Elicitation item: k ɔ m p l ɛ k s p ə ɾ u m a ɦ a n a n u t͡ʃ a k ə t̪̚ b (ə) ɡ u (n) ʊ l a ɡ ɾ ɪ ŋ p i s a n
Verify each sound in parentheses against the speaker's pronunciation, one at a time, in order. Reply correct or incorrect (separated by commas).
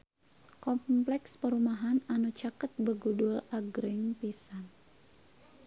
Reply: correct, incorrect